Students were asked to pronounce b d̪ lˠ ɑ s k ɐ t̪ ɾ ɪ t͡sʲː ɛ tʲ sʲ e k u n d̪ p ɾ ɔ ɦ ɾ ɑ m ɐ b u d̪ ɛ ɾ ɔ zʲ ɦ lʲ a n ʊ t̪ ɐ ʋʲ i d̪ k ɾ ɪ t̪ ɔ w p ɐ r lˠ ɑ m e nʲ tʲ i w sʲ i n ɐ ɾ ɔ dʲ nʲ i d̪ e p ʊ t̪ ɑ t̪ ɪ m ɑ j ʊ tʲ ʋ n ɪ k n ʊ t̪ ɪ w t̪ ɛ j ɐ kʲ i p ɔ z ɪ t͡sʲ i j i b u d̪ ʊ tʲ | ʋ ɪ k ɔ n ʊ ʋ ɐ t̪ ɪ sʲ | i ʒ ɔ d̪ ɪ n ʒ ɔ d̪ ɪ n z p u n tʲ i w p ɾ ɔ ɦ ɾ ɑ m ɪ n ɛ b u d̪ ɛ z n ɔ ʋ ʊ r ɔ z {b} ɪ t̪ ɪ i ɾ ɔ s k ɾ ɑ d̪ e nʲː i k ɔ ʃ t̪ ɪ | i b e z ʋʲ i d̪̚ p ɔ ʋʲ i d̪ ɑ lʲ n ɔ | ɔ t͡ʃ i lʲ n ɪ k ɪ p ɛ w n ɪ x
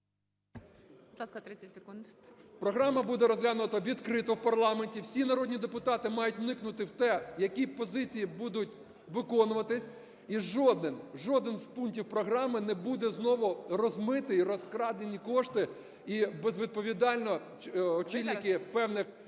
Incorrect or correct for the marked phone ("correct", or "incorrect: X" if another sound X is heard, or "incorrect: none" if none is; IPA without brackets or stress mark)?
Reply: incorrect: m